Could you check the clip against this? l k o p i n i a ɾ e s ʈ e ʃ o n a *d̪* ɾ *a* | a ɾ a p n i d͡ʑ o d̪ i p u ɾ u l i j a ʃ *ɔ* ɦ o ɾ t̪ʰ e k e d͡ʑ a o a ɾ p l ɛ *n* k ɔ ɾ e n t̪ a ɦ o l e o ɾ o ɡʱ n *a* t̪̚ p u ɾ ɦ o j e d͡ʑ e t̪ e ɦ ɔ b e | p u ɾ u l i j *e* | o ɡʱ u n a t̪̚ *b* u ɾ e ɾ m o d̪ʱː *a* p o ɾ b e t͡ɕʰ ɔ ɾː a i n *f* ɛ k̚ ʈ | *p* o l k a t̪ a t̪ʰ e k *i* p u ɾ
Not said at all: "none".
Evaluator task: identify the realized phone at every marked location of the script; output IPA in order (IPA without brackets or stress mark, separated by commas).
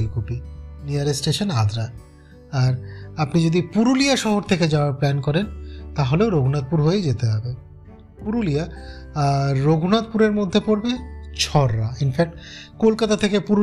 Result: d̪, a, ɔ, n, a, a, p, e, f, k, e